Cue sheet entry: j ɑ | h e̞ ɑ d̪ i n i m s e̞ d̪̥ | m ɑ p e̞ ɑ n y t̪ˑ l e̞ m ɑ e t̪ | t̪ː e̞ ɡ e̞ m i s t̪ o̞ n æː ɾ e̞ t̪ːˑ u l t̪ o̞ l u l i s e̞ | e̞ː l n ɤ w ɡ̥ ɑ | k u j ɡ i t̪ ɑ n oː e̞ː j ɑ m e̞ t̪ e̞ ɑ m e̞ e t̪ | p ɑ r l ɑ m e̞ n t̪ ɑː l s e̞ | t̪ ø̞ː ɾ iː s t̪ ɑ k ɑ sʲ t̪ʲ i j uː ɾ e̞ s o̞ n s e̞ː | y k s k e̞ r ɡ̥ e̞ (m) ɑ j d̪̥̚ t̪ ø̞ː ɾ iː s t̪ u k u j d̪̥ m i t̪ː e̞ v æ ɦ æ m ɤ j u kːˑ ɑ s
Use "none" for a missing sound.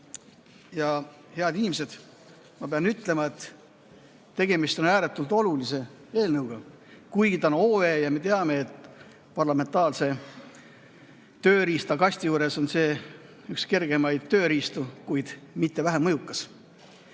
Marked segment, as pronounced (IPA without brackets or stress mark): m